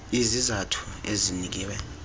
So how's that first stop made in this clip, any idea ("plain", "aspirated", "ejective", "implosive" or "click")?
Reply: aspirated